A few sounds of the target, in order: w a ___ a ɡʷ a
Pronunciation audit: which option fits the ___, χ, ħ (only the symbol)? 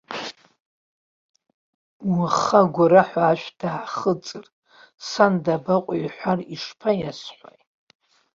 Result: χ